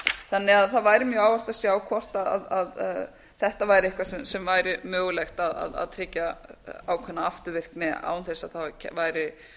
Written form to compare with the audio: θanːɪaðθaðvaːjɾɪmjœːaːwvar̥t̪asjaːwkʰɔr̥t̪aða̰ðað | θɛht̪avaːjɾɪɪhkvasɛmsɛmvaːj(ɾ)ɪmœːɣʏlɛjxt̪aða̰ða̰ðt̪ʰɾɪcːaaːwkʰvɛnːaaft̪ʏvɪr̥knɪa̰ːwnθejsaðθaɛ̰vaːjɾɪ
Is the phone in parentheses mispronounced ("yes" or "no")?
no